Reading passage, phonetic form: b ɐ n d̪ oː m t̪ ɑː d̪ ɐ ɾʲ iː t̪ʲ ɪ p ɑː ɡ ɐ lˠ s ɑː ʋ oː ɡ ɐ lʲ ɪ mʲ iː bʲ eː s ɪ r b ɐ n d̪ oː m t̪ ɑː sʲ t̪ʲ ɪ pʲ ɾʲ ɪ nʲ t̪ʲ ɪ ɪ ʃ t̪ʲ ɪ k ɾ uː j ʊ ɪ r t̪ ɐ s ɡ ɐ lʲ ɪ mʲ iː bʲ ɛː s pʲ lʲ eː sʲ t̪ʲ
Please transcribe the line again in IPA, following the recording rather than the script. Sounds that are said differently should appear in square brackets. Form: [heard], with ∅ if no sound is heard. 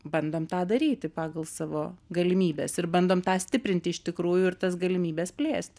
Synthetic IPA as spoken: b ɐ n d̪ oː m t̪ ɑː d̪ ɐ ɾʲ iː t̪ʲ ɪ p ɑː ɡ ɐ lˠ s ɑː ʋ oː ɡ ɐ lʲ ɪ mʲ iː bʲ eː s ɪ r b ɐ n d̪ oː m t̪ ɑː sʲ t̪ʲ ɪ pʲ ɾʲ ɪ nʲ t̪ʲ ɪ ɪ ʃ t̪ʲ ɪ k ɾ uː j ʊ ɪ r t̪ ɐ s ɡ ɐ lʲ ɪ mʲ iː bʲ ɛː s pʲ lʲ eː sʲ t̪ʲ